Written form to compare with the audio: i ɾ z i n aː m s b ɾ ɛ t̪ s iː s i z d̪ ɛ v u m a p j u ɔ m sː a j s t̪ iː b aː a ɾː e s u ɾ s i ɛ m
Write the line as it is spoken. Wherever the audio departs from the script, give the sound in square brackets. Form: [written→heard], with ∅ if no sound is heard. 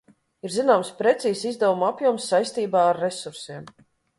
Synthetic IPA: i ɾ z i n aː m s [b→p] ɾ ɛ t̪ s iː s i z d̪ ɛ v u m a p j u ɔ m sː a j s t̪ iː b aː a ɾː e s u ɾ s i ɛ m